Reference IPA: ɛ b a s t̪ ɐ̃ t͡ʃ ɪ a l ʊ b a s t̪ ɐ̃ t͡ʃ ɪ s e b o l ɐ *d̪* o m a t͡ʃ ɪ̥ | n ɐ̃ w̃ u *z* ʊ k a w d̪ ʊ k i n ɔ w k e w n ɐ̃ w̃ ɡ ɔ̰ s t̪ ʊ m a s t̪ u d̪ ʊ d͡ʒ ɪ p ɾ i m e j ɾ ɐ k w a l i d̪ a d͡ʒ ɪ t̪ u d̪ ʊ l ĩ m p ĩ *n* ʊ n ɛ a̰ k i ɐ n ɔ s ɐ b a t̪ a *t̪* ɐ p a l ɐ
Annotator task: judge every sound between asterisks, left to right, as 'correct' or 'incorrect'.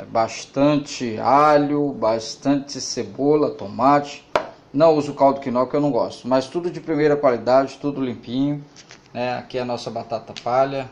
incorrect, correct, incorrect, correct

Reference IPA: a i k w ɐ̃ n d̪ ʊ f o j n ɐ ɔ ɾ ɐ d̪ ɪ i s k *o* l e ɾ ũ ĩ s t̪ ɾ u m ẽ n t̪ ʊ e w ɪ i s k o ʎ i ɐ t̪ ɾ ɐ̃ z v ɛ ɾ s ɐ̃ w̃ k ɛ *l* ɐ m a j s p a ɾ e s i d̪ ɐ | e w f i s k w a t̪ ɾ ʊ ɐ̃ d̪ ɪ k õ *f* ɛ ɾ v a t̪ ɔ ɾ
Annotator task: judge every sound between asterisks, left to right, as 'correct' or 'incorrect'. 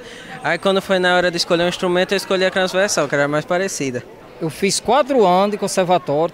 correct, incorrect, incorrect

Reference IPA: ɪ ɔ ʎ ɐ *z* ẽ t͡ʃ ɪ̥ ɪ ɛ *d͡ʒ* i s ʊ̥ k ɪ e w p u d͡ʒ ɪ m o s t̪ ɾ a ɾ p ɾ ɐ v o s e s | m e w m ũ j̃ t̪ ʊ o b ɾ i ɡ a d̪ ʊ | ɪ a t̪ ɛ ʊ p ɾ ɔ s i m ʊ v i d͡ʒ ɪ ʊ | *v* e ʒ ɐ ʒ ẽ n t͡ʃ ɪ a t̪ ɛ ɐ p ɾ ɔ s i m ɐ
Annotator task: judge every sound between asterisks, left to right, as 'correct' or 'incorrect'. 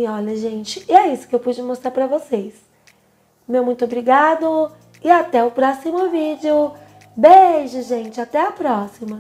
incorrect, incorrect, incorrect

